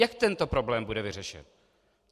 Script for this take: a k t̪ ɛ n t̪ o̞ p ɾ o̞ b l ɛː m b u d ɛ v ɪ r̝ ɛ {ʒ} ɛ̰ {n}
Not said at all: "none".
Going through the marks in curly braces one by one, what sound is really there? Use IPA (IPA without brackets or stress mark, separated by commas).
ʃ, n